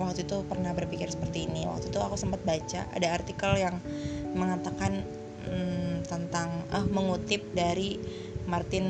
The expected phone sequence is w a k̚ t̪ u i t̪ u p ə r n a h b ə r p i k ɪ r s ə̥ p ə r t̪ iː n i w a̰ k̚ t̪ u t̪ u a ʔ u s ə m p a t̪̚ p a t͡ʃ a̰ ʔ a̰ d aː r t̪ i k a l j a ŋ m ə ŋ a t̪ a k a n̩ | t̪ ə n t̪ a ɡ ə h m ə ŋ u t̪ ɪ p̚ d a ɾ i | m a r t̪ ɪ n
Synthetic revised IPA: w a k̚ t̪ u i t̪ u p ə r n a h b ə r p i k ɪ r s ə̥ p ə r t̪ iː n i w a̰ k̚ t̪ u t̪ u a k u s ə m p a t̪̚ b a t͡ʃ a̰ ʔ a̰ d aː r t̪ i k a l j a ŋ m ə ŋ a t̪ a k a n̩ | t̪ ə n t̪ a ŋ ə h m ə ŋ u t̪ ɪ p̚ d a ɾ i | m a r t̪ ɪ n